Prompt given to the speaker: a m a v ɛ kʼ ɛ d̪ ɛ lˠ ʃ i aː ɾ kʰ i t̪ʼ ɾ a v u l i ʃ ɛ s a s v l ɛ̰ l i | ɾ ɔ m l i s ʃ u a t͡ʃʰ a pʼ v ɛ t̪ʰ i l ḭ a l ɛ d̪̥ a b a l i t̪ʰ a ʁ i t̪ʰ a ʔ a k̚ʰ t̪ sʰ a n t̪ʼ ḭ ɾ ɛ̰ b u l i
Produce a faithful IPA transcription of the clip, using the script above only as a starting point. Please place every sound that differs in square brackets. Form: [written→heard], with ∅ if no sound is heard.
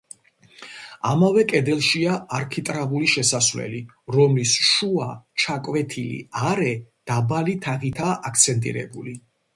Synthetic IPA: a m a v ɛ kʼ ɛ d̪ ɛ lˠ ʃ i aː ɾ kʰ i t̪ʼ ɾ a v u l i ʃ ɛ s a s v l ɛ̰ l i | ɾ ɔ m l i s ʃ u a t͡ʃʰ a [pʼ→kʼ] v ɛ t̪ʰ i l ḭ a [l→ɾ] ɛ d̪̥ a b a l i t̪ʰ a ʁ i t̪ʰ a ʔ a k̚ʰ t̪ sʰ [a→ɛ] n t̪ʼ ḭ ɾ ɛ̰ b u l i